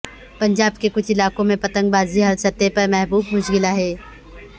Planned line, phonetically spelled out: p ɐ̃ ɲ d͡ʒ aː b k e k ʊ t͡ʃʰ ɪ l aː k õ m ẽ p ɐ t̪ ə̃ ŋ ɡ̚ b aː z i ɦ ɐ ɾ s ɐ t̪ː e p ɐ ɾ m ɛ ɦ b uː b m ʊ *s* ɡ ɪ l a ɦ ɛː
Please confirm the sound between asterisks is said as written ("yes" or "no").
no